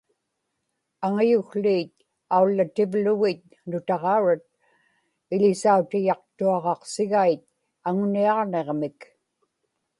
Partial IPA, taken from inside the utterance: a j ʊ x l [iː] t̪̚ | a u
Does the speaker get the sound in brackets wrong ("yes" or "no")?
no